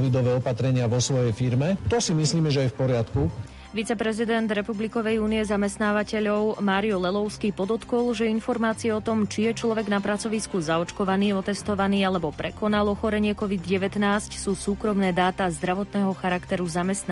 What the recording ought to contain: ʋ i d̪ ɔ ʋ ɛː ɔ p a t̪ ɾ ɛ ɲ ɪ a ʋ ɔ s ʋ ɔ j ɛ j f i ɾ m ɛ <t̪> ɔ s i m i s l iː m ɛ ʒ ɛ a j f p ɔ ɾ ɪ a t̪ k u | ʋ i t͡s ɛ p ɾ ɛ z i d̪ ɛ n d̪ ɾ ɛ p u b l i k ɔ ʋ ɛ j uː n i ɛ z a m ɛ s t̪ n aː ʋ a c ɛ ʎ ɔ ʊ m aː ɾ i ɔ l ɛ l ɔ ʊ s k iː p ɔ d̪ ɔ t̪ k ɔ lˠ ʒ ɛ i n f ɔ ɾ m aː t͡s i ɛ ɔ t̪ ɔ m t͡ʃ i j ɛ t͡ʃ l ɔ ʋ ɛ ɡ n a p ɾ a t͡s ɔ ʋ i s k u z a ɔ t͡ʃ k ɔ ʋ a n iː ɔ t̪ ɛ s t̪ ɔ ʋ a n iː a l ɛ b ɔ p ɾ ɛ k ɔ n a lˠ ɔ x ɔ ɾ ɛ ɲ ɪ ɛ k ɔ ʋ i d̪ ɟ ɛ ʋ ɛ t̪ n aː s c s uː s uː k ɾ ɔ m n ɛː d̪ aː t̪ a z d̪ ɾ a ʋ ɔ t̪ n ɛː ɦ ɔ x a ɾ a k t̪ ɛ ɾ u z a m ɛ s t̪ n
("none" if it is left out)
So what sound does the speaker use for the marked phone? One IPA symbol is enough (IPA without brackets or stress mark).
t̪